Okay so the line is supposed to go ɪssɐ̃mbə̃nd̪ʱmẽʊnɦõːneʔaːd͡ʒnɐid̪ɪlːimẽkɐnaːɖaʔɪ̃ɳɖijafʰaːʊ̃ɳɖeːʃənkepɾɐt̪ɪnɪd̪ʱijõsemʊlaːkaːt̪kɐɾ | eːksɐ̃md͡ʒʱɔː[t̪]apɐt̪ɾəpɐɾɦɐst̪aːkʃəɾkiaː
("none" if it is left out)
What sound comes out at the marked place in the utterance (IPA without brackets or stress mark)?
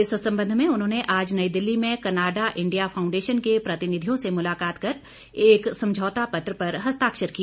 t̪